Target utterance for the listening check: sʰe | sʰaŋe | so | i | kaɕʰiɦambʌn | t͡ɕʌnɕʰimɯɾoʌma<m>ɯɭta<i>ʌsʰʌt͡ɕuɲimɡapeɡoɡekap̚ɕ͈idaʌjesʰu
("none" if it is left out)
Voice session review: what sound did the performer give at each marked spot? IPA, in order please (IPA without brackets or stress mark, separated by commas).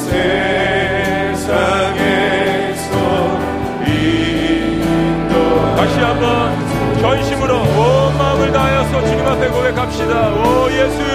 m, j